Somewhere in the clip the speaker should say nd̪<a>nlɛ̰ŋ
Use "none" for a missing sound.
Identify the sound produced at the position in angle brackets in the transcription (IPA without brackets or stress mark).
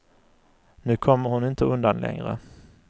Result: a